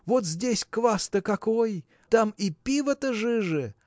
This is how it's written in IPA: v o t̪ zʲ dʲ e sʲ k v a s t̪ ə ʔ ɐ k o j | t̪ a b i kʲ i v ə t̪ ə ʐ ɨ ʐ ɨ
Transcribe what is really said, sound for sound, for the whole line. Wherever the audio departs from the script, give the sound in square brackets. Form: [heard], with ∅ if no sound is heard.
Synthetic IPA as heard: v o t̪ zʲ dʲ e sʲ k v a s t̪ ə [k] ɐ k o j | t̪ a [m] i [pʲ] i v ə t̪ ə ʐ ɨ ʐ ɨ